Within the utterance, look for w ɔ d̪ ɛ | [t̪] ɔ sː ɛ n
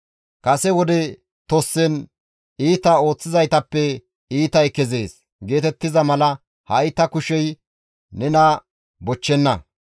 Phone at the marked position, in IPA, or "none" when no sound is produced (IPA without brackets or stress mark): t̪